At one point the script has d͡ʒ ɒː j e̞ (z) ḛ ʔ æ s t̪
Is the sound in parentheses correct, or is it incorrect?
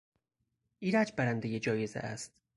correct